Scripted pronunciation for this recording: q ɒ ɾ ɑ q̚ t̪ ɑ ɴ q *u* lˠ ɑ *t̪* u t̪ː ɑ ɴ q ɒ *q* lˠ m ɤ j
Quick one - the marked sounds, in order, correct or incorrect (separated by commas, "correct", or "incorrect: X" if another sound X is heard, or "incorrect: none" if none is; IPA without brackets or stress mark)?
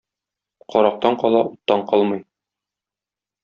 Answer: incorrect: ɒ, incorrect: none, incorrect: none